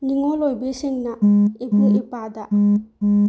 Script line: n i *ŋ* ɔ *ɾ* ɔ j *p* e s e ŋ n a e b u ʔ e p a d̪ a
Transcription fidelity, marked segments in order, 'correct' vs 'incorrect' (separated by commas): correct, incorrect, incorrect